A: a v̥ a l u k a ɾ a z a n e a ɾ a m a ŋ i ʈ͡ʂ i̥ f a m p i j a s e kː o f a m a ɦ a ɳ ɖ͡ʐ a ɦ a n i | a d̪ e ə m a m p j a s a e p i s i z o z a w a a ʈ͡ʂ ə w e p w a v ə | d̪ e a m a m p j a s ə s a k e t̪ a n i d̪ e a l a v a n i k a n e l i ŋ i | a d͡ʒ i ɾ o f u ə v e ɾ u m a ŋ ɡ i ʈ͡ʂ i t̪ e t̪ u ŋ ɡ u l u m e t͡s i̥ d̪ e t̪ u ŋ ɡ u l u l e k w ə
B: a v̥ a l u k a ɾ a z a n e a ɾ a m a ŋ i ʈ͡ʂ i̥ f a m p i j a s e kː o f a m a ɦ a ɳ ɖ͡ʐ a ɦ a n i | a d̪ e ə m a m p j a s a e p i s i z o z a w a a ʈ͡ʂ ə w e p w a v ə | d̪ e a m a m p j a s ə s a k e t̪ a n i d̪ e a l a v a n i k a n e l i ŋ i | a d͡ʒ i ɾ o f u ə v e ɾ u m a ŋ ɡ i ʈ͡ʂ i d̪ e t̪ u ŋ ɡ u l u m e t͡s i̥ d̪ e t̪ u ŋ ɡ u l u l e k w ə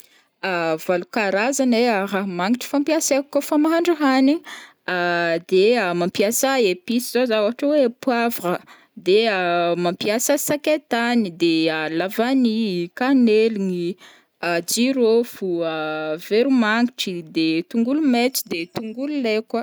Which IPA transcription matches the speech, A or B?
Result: B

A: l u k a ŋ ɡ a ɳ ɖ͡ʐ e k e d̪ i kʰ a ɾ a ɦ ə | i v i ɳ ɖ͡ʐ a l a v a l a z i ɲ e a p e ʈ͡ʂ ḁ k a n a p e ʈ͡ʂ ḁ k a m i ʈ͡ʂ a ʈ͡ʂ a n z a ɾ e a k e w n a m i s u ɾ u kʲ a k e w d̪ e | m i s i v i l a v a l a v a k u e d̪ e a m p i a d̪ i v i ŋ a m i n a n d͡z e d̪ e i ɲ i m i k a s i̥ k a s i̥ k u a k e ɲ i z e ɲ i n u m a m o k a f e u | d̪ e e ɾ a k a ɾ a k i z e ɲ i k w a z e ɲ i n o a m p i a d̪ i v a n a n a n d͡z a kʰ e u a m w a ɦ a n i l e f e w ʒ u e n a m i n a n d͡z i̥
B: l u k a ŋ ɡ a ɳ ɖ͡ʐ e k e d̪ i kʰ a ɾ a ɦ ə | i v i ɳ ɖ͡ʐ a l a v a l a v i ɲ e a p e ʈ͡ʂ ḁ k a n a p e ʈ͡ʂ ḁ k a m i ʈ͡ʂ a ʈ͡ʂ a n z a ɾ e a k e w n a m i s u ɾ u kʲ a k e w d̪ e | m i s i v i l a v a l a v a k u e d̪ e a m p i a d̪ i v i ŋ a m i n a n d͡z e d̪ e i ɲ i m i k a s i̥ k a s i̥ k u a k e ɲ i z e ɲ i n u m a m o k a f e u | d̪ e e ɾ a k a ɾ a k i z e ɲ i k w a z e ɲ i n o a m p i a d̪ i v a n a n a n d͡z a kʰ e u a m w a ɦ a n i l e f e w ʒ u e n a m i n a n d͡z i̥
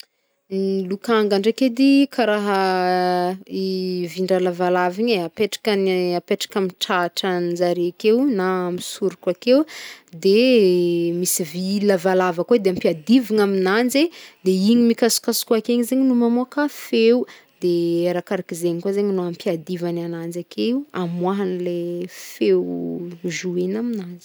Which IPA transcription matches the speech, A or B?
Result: B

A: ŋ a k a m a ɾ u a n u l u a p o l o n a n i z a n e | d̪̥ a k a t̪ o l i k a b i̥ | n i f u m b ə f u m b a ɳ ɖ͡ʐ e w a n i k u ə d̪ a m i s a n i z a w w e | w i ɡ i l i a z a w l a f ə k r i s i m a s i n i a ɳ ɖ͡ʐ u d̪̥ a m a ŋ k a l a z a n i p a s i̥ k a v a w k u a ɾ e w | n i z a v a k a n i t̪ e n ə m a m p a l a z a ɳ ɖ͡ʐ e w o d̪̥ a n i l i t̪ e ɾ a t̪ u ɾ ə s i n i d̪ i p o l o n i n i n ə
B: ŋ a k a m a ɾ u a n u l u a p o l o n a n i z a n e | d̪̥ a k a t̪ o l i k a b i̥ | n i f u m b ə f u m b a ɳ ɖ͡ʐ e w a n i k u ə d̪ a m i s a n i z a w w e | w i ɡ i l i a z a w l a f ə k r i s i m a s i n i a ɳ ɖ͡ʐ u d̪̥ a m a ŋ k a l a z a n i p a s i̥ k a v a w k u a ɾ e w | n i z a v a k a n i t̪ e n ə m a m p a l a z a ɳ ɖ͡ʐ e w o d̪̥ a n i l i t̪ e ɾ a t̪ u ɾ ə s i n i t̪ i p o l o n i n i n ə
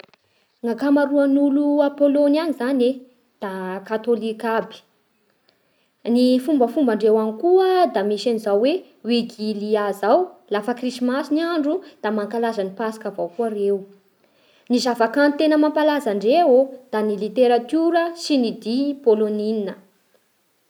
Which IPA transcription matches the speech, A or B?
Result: A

